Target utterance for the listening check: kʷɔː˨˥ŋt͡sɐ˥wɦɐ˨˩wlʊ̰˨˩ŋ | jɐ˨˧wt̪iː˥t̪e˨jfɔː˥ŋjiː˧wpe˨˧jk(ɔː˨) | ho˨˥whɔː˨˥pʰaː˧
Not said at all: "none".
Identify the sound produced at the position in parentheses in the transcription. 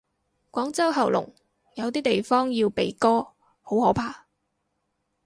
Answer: ɔː˥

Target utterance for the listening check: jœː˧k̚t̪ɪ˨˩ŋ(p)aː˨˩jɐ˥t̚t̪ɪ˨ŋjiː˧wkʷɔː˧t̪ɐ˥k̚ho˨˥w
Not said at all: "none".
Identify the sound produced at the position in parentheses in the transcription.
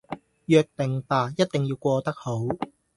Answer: p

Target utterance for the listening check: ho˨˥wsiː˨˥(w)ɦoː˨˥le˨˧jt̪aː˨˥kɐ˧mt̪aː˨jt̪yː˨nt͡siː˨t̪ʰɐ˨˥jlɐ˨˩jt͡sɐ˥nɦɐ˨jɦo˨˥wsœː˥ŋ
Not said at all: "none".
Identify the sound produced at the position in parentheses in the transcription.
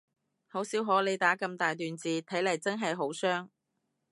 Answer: w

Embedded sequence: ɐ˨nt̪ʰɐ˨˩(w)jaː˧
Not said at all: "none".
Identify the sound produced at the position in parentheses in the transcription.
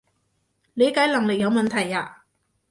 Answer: none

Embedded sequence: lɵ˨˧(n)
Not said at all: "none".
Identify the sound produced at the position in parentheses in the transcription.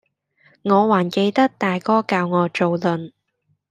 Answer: n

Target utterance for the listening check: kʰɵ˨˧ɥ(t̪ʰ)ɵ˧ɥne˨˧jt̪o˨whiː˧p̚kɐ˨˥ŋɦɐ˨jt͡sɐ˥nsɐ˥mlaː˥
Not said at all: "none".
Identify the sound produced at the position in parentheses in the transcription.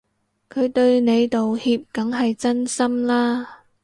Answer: t̪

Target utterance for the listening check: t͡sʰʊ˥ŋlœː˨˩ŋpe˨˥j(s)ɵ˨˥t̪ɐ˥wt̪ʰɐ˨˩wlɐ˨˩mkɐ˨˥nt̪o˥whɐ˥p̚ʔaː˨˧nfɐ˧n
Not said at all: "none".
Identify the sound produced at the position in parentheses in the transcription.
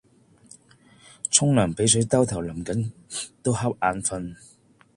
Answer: s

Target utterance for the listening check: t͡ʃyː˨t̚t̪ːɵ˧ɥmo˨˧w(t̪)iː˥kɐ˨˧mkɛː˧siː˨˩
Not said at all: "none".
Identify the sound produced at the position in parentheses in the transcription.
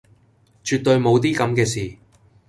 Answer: t̪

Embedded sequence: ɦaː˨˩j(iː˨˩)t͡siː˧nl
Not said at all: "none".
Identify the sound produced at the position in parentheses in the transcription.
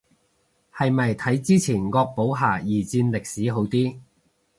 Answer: iː˨˩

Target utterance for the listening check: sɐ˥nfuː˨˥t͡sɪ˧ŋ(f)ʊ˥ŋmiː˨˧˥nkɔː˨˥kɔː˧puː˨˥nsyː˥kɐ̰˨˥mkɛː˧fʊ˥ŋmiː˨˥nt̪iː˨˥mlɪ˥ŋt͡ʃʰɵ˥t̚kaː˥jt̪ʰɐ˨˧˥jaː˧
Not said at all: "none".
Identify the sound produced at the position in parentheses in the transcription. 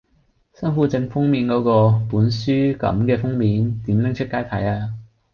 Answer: f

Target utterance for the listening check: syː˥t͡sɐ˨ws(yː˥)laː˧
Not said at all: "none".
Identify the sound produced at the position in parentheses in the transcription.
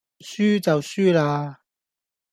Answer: yː˥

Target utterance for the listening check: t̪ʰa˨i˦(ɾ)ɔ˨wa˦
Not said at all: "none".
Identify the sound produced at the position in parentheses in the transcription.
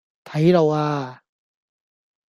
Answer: ɾ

